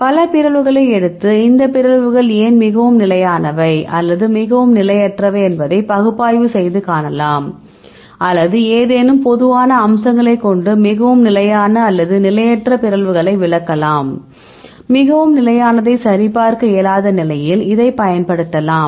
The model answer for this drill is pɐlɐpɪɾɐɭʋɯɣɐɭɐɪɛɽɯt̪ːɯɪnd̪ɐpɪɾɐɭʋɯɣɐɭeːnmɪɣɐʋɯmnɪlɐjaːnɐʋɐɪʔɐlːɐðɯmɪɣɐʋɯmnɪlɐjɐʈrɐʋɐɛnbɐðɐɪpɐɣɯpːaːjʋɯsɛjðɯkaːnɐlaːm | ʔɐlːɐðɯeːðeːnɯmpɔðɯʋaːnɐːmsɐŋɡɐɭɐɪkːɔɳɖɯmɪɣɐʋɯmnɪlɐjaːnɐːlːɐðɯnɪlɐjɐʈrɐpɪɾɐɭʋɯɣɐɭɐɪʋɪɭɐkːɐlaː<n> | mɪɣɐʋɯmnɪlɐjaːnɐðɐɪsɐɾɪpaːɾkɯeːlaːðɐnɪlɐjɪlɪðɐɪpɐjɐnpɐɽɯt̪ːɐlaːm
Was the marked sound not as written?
yes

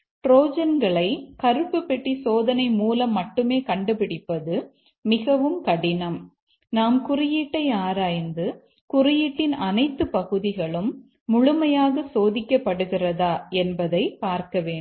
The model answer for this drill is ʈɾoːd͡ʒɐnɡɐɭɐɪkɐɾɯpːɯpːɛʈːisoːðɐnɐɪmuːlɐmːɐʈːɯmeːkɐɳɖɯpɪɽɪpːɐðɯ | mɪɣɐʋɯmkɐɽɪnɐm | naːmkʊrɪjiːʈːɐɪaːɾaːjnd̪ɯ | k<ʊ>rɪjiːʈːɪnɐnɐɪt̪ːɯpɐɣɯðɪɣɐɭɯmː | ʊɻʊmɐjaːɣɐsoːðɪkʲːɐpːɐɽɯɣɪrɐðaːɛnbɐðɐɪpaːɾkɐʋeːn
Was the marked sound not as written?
no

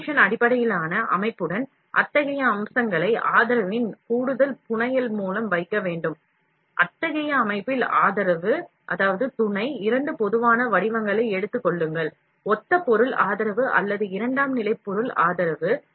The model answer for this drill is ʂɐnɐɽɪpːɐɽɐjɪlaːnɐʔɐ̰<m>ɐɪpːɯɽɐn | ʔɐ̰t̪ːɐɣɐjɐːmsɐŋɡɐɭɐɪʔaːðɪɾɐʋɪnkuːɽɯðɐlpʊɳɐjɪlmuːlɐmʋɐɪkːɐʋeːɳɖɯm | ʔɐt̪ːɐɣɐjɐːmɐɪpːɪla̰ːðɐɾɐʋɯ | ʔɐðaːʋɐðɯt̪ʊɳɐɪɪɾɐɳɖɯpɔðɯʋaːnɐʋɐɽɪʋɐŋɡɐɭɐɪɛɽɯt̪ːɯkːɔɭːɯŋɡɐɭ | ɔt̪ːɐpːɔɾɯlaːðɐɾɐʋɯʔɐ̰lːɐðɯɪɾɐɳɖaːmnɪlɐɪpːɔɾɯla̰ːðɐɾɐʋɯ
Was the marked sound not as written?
no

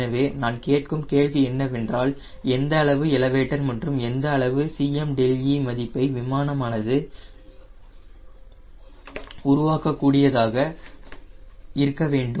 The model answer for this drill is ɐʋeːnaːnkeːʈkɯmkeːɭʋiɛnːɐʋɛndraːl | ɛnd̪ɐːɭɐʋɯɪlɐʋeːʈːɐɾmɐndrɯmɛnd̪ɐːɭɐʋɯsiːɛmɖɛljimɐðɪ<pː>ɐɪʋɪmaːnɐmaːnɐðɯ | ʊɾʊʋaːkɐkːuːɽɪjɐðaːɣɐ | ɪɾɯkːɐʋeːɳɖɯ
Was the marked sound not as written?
no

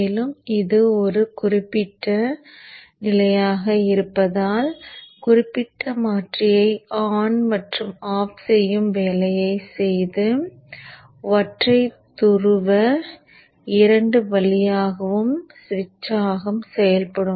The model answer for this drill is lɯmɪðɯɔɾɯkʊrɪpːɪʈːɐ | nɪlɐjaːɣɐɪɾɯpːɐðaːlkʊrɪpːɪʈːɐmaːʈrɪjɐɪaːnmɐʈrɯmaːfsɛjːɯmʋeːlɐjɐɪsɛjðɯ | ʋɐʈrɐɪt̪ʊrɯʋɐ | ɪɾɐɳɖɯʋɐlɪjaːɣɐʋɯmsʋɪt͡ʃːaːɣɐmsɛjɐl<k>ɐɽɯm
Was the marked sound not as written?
yes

